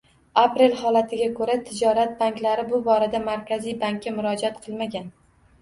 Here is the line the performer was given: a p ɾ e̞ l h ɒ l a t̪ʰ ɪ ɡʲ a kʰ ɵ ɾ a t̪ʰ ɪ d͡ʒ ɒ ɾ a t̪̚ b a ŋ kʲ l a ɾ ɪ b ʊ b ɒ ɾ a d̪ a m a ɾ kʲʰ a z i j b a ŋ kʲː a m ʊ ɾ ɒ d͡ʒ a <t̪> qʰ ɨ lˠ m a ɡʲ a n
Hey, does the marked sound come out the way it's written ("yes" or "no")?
yes